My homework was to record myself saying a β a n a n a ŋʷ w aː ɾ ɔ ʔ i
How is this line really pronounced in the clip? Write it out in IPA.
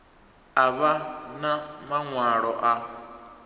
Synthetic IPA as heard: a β a n a m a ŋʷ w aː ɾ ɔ ʔ a